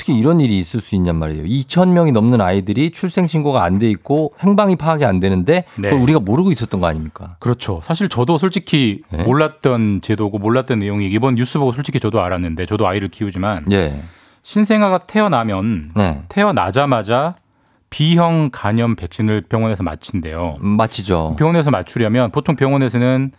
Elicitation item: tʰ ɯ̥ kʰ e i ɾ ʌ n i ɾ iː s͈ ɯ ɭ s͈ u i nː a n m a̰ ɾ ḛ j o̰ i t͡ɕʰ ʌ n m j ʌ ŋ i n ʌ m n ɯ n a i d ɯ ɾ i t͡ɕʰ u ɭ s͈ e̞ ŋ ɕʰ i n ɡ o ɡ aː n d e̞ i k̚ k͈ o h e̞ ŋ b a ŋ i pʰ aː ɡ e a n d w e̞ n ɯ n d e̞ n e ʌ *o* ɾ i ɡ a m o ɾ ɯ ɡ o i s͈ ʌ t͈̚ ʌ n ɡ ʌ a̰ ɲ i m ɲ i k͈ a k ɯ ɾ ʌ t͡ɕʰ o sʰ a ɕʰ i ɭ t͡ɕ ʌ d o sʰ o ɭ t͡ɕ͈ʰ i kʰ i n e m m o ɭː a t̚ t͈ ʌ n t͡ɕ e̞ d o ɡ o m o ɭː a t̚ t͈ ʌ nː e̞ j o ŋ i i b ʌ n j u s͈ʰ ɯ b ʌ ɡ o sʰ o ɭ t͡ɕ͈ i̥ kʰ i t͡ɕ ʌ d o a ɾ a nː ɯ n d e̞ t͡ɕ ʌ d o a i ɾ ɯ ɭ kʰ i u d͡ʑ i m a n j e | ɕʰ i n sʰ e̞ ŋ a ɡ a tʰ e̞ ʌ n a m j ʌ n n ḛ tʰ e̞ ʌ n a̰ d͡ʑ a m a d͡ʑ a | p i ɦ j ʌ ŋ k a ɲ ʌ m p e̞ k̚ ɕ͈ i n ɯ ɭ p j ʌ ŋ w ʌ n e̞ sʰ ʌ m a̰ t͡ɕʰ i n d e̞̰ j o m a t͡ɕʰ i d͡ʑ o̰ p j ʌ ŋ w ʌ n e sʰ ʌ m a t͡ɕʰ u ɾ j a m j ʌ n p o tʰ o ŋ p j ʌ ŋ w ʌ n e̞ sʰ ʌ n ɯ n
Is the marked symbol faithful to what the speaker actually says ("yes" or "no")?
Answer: no